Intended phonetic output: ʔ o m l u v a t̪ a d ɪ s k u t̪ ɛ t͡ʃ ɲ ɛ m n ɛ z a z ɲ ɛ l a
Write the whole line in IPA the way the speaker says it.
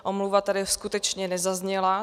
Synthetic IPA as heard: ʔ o m l u v a t̪ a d ɪ s k u t̪ ɛ t͡ʃ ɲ ɛ n ɛ z a z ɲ ɛ l a